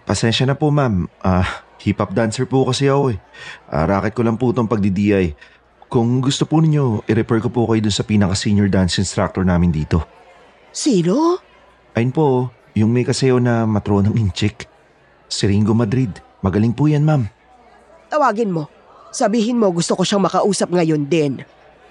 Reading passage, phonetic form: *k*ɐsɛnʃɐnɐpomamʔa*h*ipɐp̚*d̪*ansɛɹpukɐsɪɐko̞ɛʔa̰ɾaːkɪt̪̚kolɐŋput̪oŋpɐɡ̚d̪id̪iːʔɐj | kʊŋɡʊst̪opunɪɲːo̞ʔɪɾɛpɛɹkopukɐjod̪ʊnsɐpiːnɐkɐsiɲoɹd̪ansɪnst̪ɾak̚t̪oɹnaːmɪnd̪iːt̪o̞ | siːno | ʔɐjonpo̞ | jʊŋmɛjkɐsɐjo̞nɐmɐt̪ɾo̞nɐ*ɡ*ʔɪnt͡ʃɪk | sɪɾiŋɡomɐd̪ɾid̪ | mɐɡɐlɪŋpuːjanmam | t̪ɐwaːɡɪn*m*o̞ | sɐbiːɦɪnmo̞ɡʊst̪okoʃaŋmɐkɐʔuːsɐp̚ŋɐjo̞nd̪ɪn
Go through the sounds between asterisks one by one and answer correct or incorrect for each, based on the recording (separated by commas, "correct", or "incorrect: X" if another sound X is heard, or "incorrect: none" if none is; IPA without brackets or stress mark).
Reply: incorrect: p, correct, correct, incorrect: ŋ, correct